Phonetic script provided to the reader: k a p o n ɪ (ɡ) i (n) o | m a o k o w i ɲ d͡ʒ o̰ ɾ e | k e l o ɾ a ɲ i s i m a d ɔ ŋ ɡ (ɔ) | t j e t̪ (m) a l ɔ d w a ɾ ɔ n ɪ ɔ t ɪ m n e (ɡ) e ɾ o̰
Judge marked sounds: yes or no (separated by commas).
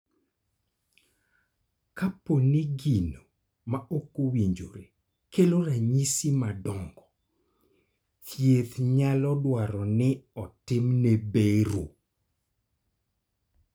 yes, yes, yes, no, no